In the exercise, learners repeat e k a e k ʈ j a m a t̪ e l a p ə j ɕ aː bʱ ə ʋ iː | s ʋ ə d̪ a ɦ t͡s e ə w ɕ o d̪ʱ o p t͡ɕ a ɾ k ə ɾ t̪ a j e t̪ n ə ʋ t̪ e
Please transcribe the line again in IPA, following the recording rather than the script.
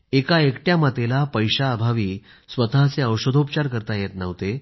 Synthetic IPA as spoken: e k a e k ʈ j a m a t̪ e l a p ə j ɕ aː bʱ a ʋ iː | s ʋ ə t̪ a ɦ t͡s e ə w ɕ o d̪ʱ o p t͡ɕ a ɾ k ə ɾ t̪ a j e t̪ n ə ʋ t̪ e